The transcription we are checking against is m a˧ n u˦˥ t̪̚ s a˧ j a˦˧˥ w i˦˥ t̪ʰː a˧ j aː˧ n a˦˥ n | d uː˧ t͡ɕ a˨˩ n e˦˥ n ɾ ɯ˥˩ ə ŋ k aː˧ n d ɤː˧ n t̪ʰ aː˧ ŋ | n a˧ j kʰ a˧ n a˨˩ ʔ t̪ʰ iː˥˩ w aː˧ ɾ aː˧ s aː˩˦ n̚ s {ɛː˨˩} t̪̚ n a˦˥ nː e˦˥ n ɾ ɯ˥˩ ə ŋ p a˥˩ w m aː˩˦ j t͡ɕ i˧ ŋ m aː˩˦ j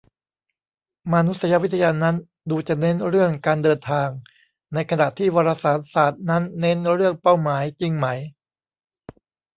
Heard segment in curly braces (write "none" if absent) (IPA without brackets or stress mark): aː˨˩